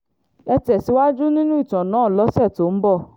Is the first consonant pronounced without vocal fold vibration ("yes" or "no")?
yes